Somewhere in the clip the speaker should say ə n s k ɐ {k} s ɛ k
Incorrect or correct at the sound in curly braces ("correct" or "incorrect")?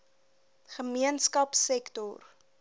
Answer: incorrect